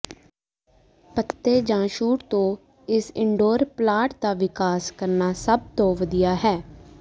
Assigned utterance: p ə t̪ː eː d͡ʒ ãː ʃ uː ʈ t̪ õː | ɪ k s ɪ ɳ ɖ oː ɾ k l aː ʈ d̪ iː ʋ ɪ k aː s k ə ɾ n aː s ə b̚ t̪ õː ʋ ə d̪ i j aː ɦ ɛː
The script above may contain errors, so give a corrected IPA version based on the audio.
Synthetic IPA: p ə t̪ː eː d͡ʒ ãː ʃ uː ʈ t̪ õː | ɪ s ɪ ɳ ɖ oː ɾ p l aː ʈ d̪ aː ʋ ɪ k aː s k ə ɾ n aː s ə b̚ t̪ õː ʋ ə d̪ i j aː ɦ ɛː